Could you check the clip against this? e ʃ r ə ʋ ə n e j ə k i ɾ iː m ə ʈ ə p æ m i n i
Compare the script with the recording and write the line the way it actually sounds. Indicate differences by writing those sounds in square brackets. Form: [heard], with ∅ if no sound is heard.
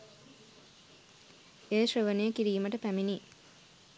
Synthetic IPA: e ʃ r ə ʋ ə n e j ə k i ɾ iː m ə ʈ ə p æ m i n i